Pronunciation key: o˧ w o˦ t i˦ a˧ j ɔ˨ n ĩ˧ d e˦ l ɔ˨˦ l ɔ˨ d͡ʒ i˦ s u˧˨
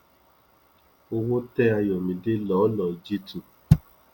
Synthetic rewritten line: o˧ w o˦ t ɛ˦ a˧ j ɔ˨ m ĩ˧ d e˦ l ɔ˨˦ l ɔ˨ d͡ʒ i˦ t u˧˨